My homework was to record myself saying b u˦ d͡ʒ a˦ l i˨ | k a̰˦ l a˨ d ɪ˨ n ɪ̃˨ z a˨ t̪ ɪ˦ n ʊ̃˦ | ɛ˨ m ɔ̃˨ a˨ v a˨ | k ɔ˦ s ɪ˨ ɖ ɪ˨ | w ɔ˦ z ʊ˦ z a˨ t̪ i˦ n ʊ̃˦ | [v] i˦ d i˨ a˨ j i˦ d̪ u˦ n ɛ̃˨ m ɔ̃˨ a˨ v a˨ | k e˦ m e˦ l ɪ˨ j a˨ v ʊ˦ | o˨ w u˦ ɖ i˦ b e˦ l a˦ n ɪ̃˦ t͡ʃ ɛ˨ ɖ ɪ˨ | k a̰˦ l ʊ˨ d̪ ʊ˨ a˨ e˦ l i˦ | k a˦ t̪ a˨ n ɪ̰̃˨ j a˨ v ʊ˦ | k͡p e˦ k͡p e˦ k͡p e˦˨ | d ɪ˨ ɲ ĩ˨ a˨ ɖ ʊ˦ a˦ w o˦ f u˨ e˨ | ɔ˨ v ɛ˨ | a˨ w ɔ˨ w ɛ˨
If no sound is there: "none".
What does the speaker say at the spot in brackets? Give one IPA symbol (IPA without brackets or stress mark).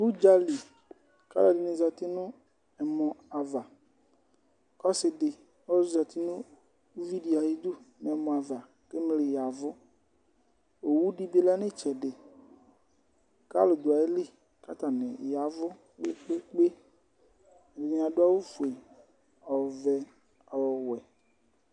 v